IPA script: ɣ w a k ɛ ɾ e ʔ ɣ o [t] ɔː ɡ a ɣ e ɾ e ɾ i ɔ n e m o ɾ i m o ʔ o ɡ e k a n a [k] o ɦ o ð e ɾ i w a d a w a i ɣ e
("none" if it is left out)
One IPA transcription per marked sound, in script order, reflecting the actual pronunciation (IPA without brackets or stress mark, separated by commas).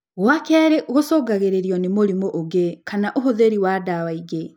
s, ʔ